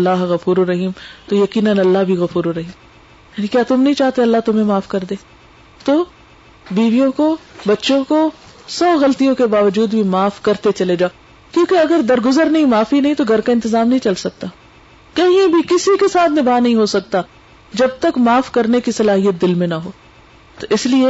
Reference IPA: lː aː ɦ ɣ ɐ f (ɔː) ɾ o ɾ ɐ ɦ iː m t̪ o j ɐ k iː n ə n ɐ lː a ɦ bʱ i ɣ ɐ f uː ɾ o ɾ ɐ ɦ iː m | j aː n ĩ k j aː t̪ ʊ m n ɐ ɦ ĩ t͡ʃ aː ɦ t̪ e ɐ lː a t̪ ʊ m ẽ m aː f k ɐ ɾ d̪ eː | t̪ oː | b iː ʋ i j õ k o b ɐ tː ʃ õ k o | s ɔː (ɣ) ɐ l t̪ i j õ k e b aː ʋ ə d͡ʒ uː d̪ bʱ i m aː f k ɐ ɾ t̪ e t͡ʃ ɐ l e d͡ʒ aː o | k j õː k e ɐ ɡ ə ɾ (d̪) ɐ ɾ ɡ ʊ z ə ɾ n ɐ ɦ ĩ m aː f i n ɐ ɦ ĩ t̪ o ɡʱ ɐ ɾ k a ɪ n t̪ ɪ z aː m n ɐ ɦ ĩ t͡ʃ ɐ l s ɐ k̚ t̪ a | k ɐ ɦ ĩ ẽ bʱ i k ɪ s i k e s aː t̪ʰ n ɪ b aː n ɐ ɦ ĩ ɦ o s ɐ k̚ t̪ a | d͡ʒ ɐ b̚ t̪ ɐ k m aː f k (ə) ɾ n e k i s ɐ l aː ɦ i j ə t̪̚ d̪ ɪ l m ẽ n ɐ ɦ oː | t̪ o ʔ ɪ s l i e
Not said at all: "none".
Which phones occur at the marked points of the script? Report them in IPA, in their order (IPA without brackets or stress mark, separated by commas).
uː, ɣ, d̪, ɐ